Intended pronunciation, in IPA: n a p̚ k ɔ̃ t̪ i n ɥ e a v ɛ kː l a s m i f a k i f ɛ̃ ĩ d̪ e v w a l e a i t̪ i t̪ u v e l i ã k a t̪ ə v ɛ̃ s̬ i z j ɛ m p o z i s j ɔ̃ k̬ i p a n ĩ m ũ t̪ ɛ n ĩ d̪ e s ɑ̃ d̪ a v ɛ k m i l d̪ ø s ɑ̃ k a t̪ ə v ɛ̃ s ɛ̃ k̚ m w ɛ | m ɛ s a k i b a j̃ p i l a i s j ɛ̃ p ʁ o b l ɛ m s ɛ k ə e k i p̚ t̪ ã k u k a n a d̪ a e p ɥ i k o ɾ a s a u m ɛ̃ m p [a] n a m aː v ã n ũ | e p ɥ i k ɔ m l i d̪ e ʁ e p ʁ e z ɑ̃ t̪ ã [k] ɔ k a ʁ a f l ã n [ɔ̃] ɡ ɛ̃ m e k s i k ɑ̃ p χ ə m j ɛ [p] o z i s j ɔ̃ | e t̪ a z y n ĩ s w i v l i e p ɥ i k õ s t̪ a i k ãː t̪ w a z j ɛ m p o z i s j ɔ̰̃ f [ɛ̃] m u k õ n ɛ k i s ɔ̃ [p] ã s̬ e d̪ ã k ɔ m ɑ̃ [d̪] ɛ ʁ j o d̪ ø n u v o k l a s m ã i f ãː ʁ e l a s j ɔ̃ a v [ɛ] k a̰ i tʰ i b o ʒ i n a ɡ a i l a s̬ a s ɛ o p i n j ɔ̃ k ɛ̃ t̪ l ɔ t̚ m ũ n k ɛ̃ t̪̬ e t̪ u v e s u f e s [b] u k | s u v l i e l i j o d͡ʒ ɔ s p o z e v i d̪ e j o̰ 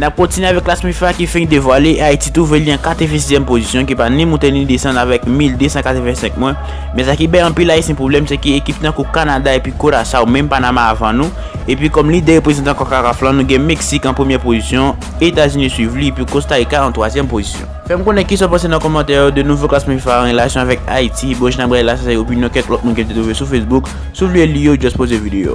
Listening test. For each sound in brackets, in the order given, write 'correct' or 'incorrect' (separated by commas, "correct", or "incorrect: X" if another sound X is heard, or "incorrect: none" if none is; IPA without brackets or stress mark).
correct, correct, incorrect: ũ, correct, incorrect: ɛ, correct, incorrect: t̪, correct, correct